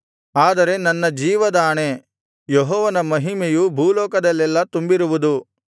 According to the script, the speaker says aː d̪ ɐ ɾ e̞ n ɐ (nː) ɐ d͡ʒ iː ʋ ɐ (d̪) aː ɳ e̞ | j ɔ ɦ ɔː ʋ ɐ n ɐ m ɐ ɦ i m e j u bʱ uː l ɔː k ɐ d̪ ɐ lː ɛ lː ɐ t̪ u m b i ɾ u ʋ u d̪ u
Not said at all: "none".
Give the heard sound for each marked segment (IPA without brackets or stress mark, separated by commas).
nː, d̪